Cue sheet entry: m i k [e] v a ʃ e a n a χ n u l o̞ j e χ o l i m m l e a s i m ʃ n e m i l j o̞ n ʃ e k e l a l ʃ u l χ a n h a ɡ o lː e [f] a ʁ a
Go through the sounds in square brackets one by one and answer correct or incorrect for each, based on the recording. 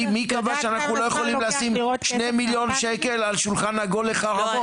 incorrect, incorrect

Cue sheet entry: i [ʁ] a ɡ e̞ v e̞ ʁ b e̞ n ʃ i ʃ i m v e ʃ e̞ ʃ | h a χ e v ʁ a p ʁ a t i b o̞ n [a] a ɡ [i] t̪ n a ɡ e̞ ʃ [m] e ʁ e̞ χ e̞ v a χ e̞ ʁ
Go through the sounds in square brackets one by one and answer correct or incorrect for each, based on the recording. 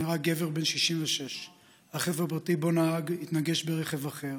correct, correct, correct, incorrect

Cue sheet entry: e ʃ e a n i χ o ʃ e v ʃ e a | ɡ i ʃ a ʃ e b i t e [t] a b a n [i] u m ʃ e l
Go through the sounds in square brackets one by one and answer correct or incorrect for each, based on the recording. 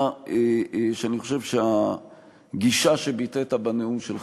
correct, incorrect

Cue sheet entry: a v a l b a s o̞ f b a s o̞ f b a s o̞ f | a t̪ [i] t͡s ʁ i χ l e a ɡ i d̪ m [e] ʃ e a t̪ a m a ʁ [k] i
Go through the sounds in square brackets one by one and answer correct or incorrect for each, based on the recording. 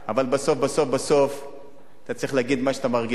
incorrect, incorrect, incorrect

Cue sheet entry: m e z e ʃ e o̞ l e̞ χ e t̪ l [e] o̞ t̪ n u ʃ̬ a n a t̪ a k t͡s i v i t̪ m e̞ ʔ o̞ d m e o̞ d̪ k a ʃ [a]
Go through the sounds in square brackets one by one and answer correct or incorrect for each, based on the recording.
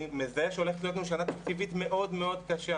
incorrect, correct

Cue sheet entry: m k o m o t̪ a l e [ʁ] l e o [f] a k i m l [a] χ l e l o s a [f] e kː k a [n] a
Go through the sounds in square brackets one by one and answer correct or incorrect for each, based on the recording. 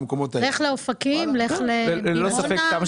incorrect, correct, incorrect, correct, incorrect

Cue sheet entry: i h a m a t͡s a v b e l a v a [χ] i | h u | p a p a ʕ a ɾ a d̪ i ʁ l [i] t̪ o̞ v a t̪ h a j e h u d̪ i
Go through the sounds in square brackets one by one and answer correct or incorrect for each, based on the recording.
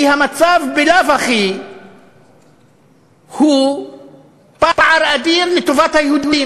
correct, incorrect

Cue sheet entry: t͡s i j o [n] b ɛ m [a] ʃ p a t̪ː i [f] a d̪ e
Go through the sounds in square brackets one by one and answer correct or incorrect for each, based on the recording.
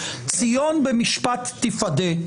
correct, incorrect, correct

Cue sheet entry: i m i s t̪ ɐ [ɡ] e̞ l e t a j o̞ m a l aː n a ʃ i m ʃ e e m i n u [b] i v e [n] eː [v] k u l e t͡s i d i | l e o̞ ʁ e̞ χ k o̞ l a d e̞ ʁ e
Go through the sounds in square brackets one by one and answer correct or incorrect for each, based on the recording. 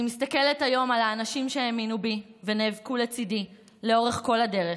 incorrect, correct, correct, correct

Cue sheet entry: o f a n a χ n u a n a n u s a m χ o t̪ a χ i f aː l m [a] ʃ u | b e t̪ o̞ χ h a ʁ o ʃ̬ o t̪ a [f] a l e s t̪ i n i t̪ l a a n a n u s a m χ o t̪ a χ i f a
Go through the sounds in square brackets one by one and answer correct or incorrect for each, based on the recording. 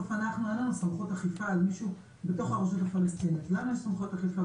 incorrect, correct

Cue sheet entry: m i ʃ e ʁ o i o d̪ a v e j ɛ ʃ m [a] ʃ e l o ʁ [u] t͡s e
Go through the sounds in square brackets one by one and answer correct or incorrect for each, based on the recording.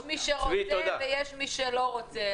incorrect, incorrect

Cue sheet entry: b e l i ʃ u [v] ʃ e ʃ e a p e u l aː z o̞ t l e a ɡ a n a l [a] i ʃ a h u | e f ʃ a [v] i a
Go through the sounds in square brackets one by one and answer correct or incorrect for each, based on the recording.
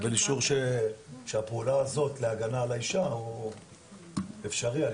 incorrect, correct, incorrect

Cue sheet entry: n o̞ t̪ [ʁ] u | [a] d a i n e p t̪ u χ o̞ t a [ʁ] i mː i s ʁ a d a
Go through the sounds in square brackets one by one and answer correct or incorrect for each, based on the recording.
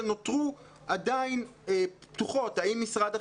correct, correct, incorrect

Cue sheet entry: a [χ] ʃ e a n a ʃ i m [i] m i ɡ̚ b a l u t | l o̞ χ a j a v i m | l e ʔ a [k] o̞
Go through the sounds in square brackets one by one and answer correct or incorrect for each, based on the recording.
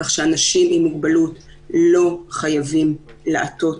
correct, correct, incorrect

